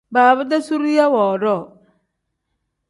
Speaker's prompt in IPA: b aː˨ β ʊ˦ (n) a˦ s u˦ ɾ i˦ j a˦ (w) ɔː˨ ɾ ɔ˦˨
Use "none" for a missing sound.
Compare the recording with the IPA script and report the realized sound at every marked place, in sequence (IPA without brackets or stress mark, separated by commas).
d, w